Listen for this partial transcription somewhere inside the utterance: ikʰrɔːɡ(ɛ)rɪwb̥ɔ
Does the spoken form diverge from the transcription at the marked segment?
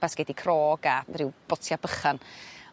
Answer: yes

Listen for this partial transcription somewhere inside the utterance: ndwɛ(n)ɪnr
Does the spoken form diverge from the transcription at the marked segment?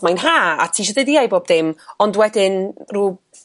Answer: yes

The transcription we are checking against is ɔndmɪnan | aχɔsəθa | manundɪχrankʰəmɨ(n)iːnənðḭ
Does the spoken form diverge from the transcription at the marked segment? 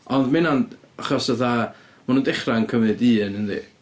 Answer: yes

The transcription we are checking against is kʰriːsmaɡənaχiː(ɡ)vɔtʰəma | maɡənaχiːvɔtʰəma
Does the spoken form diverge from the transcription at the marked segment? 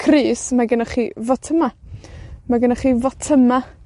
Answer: yes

